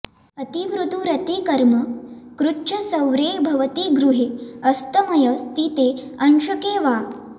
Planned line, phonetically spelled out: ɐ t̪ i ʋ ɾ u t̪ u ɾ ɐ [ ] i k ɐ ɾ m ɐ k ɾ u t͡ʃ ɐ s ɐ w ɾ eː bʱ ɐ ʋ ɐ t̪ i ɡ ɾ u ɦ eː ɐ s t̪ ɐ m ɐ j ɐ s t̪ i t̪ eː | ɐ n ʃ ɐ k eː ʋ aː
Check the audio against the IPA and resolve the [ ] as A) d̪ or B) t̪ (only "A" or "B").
B